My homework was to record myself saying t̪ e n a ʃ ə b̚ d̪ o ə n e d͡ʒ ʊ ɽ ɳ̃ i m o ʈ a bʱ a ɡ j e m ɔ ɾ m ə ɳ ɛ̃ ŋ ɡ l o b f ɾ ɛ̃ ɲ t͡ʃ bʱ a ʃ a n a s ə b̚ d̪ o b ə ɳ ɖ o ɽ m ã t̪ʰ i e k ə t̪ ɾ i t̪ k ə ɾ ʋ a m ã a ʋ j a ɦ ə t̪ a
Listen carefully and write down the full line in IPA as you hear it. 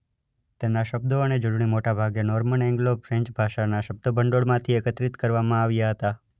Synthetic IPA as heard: t̪ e n a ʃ ə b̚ d̪ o ə n e d͡ʒ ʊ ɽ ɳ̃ i m o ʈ a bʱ a ɡ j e n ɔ ɾ m ə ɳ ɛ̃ ŋ ɡ l o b f ɾ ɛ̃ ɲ t͡ʃ bʱ a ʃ a n a ʃ ə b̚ d̪ o b ə ɳ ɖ o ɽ m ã t̪ʰ i e k ə t̪ ɾ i t̪ k ə ɾ ʋ a m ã a ʋ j a ɦ ə t̪ a

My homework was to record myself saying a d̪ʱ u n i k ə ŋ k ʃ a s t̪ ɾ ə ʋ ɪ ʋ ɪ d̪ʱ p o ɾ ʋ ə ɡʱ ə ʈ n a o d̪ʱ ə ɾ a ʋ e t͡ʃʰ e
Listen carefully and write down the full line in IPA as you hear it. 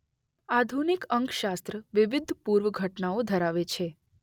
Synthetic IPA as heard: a d̪ʱ u n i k ə ŋ k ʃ a s t̪ ɾ ə ʋ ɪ ʋ ɪ d̪ʱ p u ɾ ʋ ə ɡʱ ə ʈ n a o d̪ʱ ə ɾ a ʋ e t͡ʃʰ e

